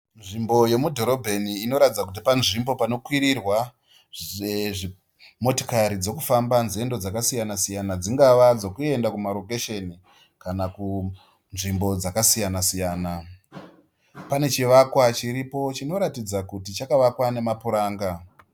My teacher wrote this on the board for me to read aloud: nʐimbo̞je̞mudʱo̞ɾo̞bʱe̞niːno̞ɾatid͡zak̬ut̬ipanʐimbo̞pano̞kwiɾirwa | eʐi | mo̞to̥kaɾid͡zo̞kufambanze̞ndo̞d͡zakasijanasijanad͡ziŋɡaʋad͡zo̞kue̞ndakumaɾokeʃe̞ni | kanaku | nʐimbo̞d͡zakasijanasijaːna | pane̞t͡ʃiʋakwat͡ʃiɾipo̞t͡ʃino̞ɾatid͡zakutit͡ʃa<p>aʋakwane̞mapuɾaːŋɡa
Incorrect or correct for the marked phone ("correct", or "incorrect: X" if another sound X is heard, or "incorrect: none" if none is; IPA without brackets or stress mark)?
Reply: incorrect: k